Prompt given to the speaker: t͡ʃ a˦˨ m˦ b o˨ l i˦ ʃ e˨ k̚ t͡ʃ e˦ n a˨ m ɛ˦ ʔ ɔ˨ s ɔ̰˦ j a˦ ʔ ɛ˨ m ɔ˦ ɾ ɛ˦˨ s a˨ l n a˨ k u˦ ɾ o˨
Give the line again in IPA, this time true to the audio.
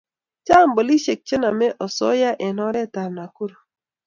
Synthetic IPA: t͡ʃ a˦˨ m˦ b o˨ l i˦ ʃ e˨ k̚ t͡ʃ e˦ n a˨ m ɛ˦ ʔ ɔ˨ s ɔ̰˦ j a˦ ʔ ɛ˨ n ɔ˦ ɾ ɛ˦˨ t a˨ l n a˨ k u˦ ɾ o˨